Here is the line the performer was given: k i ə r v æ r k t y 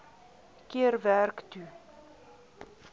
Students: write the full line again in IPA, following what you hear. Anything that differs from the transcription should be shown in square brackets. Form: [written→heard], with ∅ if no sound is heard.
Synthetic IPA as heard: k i ə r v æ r k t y